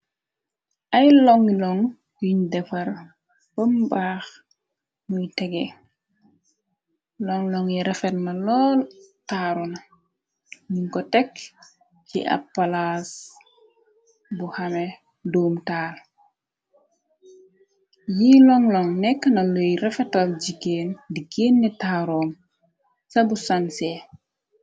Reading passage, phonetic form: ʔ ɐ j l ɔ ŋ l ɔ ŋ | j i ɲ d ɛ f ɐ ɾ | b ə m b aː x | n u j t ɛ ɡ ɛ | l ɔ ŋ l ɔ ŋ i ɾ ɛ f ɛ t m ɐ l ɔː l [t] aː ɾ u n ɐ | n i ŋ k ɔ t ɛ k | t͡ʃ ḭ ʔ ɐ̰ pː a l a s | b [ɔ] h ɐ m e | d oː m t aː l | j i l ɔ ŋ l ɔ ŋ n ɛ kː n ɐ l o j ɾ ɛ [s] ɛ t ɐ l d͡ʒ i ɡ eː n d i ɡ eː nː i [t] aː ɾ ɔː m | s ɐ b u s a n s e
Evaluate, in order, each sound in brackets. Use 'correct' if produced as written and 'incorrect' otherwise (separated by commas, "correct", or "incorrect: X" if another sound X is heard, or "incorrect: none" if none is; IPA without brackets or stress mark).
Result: correct, incorrect: u, incorrect: f, correct